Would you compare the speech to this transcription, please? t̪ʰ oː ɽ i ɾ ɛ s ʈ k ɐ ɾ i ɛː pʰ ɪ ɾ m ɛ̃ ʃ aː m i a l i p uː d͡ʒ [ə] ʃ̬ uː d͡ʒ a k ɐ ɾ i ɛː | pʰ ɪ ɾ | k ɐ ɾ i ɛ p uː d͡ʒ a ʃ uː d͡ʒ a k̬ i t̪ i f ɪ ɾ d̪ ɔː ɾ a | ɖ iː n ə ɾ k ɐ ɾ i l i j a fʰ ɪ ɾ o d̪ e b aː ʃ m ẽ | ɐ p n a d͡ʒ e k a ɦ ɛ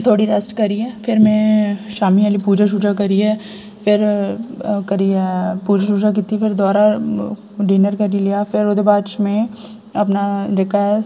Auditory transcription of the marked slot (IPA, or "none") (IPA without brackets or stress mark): a